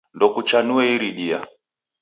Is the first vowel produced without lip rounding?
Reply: no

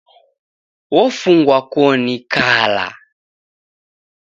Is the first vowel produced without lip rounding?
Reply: no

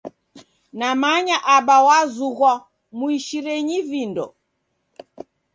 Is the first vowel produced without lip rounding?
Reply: yes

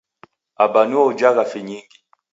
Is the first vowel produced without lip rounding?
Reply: yes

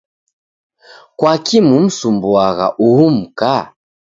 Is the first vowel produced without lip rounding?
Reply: yes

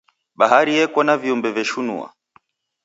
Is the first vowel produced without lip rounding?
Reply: yes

